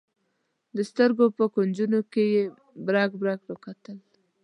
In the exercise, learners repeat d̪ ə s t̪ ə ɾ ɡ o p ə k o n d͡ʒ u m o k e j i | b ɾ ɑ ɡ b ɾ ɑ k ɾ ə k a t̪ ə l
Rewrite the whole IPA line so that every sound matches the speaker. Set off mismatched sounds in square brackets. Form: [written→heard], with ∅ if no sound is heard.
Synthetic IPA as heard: d̪ ə s t̪ ə ɾ ɡ o p ə k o n d͡ʒ u [m→n] o k e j [i→e] | b ɾ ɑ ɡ b ɾ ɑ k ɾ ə k a t̪ ə l